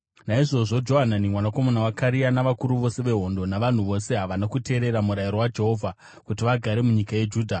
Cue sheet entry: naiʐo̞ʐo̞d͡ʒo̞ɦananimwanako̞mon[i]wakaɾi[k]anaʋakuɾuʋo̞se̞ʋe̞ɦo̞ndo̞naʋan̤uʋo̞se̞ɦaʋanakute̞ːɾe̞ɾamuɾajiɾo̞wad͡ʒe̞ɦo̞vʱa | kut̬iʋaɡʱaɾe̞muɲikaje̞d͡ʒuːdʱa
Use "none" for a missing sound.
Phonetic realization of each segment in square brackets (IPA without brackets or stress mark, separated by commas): a, none